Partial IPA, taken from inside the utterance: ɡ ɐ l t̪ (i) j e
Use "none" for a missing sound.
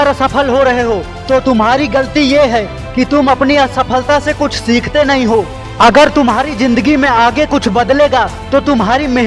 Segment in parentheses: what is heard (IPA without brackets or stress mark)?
i